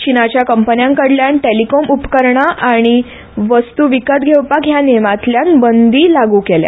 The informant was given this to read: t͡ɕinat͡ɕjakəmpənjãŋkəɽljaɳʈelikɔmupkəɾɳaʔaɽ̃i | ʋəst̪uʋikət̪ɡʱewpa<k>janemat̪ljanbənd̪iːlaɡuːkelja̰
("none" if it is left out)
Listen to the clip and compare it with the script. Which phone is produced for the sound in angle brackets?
k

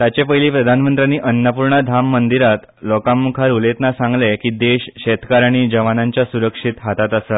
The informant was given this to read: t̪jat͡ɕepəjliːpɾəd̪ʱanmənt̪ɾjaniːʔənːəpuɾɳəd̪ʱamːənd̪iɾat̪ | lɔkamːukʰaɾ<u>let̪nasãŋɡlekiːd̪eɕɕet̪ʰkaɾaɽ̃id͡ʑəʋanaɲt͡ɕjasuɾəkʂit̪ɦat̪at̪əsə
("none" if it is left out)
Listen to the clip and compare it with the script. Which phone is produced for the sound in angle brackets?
u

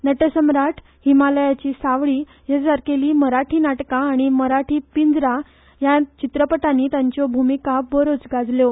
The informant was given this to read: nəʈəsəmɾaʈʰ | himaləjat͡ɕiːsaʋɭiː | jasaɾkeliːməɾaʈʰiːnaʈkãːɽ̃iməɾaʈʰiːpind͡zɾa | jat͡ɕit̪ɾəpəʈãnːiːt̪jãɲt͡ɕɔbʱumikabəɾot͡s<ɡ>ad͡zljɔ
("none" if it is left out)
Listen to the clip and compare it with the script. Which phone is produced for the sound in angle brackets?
ɡ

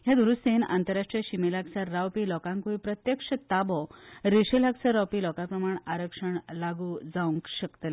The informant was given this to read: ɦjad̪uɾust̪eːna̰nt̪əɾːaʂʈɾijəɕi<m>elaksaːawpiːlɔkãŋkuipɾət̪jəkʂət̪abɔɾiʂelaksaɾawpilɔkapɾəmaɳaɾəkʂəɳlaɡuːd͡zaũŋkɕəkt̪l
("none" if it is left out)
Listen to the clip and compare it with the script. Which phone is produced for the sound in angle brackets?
m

